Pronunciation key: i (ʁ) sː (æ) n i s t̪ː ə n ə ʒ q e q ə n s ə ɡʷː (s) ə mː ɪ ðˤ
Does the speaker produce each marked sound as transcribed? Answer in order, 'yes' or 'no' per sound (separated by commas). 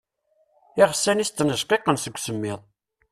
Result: yes, yes, yes